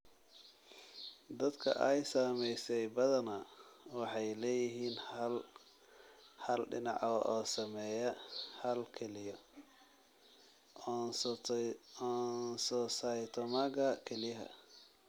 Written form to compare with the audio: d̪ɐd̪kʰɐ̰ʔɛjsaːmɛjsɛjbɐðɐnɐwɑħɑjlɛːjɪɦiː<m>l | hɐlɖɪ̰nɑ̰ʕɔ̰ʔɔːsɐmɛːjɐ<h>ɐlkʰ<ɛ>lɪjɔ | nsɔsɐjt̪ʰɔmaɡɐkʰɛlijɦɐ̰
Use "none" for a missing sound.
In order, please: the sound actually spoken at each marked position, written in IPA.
n, h, ɛ

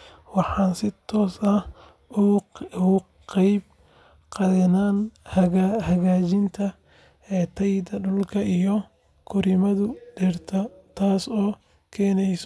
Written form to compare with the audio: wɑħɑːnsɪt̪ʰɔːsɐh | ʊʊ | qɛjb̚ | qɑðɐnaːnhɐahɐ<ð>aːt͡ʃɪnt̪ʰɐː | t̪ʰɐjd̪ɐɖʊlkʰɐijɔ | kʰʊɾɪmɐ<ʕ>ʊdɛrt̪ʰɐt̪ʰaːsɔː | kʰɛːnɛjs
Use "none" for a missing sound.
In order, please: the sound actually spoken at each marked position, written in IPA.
ɣ, ð

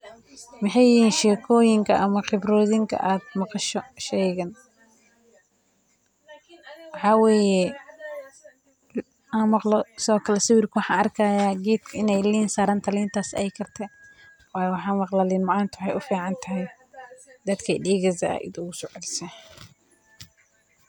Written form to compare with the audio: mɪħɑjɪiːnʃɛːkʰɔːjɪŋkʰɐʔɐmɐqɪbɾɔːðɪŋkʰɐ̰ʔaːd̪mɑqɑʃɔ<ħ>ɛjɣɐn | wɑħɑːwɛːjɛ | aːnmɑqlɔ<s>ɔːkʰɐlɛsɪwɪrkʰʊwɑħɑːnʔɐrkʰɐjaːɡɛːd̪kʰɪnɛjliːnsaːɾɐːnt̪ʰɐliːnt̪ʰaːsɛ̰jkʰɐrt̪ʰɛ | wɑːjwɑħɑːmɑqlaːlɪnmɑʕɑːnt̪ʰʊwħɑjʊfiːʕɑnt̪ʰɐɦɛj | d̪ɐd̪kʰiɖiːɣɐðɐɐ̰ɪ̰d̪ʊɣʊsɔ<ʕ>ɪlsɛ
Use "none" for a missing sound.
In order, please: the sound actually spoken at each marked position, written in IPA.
ʃ, s, ʕ

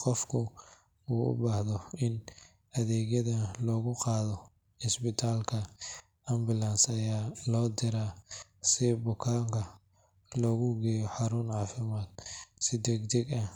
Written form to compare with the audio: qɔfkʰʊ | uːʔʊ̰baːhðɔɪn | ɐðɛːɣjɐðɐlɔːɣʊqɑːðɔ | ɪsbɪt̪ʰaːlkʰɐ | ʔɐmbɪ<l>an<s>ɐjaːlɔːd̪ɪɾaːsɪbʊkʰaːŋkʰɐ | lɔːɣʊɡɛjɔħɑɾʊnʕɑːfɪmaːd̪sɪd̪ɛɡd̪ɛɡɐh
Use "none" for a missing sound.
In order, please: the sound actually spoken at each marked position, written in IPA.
l, s

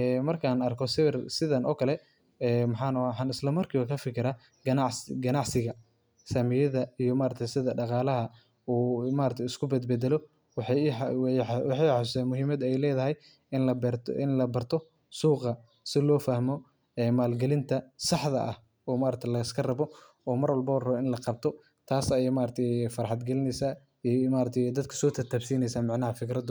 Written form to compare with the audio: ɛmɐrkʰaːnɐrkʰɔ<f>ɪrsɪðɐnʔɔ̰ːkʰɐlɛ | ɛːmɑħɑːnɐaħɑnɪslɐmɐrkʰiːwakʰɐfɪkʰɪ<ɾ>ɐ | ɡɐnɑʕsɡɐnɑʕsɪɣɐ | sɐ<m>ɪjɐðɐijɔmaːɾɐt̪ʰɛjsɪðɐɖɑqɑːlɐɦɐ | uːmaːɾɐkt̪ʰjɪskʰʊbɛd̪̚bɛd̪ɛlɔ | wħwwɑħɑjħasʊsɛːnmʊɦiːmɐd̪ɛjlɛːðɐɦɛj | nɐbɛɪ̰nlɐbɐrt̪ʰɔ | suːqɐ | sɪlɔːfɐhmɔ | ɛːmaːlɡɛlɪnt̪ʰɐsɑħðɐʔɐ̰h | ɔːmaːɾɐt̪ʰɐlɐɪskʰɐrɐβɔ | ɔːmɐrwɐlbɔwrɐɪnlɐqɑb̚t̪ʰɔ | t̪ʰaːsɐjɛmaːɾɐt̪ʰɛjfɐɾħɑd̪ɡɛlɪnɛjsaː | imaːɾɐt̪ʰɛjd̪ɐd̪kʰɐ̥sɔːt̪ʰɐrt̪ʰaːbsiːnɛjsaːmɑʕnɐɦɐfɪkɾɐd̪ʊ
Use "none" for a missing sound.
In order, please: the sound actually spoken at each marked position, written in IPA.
s, ɾ, m

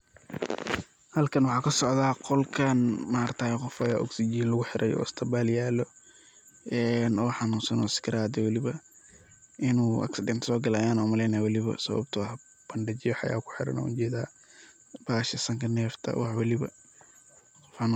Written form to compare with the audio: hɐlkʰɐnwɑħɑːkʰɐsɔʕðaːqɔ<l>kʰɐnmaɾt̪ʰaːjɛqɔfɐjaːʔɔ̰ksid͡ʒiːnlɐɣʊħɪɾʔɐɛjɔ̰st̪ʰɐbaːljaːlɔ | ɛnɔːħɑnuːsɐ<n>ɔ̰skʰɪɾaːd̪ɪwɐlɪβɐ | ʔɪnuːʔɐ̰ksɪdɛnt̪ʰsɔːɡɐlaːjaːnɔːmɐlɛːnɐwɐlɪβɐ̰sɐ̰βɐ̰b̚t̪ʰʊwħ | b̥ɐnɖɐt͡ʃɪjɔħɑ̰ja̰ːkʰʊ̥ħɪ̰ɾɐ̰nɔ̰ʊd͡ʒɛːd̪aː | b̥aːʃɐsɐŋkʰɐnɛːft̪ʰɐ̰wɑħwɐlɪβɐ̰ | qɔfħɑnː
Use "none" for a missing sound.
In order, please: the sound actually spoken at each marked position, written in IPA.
l, n

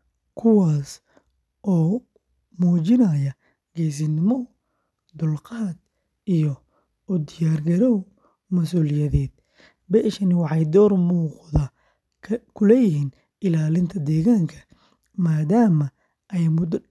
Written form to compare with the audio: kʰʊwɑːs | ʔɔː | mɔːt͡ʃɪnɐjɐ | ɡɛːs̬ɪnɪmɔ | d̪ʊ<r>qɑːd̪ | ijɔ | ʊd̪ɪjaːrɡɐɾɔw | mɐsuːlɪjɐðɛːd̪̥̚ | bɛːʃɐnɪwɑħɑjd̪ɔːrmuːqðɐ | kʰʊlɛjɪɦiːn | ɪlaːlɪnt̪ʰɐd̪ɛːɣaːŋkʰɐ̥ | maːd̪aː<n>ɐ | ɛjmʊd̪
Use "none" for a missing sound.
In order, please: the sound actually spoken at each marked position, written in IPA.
l, m

